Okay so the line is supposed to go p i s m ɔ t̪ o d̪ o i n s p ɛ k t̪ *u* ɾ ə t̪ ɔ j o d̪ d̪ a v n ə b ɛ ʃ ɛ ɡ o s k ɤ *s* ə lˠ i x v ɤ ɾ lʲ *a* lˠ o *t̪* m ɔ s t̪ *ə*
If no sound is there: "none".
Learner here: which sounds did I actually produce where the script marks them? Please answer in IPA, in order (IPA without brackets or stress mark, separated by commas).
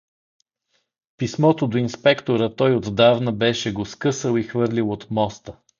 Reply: o, s, i, t̪, ə